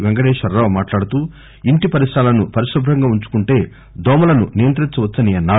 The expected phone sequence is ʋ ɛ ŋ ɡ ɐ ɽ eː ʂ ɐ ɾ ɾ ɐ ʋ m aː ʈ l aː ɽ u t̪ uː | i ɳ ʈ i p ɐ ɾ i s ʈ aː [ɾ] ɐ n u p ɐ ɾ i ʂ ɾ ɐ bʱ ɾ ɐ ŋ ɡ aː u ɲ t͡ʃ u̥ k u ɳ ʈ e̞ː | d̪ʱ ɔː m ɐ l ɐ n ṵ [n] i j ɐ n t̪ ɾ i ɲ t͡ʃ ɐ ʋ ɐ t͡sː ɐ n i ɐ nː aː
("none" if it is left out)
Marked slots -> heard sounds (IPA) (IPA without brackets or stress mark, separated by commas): l, n